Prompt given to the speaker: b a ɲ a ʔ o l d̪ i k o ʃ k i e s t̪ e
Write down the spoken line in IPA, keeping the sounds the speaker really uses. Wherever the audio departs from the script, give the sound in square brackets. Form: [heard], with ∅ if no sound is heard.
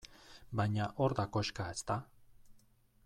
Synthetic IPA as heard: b a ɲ a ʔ o [ɾ] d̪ [a] k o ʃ k [a] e s t̪ [a]